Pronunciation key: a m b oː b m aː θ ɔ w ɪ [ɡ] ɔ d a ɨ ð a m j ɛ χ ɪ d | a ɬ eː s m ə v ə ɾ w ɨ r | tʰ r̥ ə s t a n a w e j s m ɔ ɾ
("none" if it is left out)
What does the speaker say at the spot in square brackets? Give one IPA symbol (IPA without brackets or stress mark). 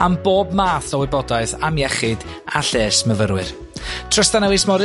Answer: b